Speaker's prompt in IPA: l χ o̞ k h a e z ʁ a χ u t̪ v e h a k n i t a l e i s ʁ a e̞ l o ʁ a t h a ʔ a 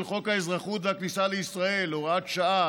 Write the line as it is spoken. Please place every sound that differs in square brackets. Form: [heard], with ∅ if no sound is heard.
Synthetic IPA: l χ o̞ k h a e z ʁ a χ u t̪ v e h a k n i [s] a l e i s ʁ a e̞ l o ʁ a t [ʃ] a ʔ a